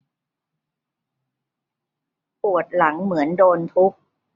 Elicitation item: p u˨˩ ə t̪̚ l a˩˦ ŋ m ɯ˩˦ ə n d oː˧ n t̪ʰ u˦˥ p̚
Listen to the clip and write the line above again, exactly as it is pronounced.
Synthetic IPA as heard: p u˨˩ ə t̪̚ l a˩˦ ŋ m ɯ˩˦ ə n d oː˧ n t̪ʰ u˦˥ k̚